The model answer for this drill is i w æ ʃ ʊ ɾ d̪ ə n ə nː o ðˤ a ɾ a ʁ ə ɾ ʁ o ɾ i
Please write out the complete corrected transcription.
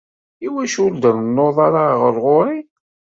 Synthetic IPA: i w æ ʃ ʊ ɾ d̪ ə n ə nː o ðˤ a ɾ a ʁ ə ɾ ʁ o ɾ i